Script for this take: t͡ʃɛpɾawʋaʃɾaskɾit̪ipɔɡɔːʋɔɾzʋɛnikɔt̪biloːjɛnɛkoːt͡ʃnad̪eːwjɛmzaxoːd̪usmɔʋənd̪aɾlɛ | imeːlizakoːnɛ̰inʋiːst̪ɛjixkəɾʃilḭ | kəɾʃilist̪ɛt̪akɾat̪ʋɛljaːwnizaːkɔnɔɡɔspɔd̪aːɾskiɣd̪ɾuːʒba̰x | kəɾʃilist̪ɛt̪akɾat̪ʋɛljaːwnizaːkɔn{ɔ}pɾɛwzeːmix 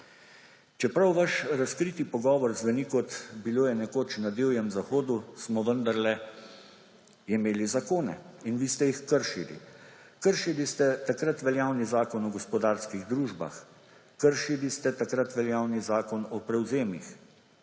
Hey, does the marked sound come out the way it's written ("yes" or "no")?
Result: yes